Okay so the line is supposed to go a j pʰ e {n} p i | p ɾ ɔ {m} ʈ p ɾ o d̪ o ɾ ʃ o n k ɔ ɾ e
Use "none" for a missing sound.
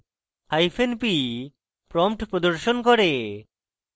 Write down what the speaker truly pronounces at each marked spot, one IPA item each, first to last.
n, m

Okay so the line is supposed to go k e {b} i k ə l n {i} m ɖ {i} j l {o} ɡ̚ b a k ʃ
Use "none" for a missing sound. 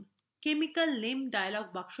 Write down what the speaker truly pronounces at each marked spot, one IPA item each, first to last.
m, e, a, ɔ

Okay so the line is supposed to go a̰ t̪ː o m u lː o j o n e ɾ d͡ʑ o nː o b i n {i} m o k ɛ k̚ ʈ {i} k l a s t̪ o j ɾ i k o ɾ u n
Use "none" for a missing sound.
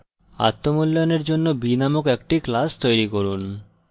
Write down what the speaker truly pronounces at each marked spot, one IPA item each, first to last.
a, i

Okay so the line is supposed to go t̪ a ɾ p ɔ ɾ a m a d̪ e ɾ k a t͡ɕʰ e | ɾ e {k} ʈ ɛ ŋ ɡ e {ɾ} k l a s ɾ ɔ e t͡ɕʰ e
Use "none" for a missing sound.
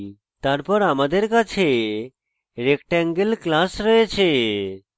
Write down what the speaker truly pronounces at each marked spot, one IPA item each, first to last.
k, l

